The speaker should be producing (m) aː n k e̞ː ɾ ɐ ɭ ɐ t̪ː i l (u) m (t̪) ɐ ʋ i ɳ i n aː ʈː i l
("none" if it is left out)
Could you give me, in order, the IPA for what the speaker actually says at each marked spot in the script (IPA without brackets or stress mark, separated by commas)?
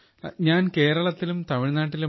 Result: ɲ, u, t̪